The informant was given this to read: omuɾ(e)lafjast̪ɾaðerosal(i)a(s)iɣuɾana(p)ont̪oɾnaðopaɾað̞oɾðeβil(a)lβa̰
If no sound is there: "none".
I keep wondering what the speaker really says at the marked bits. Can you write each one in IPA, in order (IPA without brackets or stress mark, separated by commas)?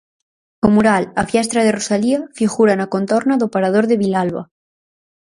a, i, f, k, a